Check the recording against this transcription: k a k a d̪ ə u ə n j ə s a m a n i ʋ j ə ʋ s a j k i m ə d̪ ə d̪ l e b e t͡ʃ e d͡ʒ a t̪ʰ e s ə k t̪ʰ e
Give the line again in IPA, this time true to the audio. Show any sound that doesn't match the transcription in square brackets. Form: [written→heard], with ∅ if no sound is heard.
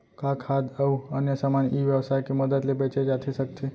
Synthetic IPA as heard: k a [k→kʰ] a d̪ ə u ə n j ə s a m a n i ʋ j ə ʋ s a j k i m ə d̪ ə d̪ l e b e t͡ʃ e d͡ʒ a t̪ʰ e s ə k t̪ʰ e